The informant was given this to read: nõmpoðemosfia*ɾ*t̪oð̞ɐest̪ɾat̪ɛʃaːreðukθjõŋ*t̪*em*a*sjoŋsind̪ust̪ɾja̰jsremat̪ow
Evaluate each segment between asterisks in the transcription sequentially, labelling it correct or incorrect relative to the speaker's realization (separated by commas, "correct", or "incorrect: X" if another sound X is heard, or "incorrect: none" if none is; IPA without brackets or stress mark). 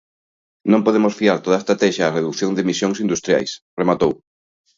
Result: correct, incorrect: d̪, incorrect: i